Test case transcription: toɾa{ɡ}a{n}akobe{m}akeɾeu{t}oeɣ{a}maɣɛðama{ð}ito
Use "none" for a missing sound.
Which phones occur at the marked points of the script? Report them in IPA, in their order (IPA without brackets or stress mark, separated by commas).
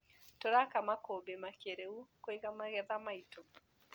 k, m, m, k, a, none